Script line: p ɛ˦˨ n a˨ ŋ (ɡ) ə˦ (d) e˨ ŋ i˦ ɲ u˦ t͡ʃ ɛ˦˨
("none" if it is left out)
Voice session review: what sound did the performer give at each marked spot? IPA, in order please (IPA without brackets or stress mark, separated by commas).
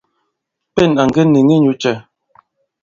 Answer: ɡ, n